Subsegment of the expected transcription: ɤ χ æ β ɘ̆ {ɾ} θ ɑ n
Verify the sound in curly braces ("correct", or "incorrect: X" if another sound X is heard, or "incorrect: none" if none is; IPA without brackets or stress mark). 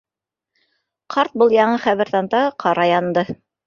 correct